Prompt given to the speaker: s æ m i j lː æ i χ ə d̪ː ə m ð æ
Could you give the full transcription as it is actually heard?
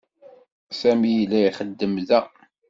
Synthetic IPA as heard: s æ m i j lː æ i χ ə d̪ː ə m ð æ